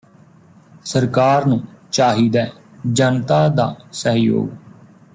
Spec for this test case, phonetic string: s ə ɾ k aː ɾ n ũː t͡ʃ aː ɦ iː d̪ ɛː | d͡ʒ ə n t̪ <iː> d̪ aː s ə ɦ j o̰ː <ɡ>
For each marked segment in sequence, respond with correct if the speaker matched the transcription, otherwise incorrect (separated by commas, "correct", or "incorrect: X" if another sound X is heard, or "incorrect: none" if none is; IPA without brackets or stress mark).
incorrect: aː, correct